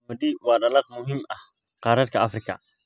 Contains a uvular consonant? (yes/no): yes